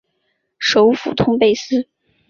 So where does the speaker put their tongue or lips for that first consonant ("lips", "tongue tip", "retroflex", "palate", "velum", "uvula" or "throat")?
retroflex